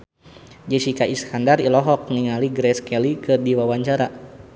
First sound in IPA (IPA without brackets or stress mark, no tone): d͡ʒ